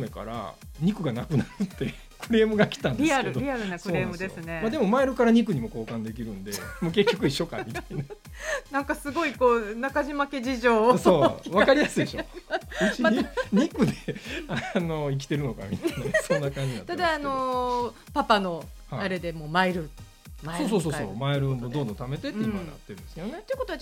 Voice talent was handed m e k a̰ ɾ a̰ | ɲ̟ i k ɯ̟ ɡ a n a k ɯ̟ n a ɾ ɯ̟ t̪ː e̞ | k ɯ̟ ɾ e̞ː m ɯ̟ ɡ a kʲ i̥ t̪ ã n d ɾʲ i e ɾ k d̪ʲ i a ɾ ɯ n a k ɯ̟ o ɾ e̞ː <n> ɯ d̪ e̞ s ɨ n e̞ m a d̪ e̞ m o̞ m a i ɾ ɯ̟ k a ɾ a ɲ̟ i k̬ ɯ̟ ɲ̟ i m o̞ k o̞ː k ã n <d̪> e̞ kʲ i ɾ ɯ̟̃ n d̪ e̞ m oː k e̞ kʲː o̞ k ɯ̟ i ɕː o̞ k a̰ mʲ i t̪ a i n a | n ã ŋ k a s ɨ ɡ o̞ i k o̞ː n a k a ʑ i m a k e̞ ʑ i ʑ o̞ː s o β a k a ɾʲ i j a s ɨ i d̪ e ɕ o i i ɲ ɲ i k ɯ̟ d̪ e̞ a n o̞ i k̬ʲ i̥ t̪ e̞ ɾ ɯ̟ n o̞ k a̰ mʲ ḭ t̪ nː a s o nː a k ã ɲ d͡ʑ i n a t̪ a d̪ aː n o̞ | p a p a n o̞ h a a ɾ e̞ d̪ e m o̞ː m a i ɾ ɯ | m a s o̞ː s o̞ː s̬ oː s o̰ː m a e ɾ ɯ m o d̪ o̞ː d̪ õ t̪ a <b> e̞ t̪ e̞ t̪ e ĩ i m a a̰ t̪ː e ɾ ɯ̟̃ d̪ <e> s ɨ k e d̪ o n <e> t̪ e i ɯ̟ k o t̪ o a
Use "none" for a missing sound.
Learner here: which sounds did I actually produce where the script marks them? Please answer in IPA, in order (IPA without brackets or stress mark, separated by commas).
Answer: m, d̪, m, e, e